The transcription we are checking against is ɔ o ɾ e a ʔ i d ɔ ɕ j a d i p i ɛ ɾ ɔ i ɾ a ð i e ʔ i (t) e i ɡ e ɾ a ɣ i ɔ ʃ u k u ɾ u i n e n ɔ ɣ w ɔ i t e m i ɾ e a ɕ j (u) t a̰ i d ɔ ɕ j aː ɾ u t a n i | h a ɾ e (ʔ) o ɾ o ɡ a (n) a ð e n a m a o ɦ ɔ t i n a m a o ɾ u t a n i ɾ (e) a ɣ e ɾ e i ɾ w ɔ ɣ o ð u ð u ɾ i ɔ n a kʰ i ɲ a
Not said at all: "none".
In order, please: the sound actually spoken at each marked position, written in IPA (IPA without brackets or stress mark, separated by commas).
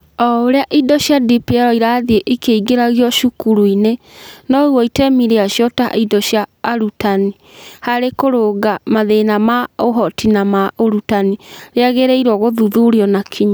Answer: k, ɔ, k, m, e